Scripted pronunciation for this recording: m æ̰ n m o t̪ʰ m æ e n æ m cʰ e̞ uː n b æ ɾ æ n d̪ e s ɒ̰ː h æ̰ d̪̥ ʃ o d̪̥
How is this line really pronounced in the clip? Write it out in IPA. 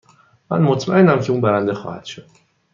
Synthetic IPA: m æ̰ n m o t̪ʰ m æ e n æ m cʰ e̞ uː n b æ ɾ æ n d̪ e x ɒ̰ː h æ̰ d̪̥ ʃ o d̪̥